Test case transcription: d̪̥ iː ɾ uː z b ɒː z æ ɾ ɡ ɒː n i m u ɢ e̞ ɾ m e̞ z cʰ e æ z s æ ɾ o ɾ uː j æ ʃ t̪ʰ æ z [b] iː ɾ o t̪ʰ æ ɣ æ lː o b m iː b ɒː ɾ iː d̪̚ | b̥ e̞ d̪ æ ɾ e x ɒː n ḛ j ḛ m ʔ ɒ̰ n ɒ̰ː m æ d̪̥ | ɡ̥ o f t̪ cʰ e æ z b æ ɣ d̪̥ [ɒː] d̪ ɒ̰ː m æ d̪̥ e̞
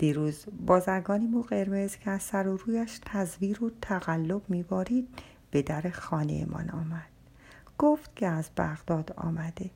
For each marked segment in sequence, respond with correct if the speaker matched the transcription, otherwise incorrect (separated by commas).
incorrect, correct